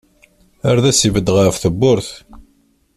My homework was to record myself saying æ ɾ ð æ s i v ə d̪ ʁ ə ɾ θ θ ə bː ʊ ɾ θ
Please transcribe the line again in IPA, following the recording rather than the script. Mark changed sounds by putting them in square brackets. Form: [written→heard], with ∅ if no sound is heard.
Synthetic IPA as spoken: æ ɾ ð æ s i v ə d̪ ʁ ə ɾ [θ→f] θ ə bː ʊ ɾ θ